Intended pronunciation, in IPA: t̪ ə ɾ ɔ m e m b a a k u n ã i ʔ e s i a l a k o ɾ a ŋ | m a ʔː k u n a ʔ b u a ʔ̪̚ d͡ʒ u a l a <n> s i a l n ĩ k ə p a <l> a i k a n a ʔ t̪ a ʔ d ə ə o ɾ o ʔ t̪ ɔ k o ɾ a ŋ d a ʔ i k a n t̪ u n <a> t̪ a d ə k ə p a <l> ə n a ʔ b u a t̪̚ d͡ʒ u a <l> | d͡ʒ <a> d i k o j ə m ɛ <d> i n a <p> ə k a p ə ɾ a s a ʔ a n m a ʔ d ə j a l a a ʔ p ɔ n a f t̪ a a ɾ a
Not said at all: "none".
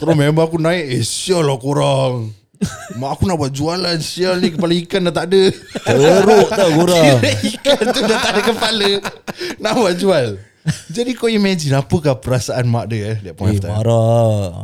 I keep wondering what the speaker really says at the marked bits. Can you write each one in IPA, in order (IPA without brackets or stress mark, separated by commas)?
n, l, a, l, l, a, d͡ʒ, p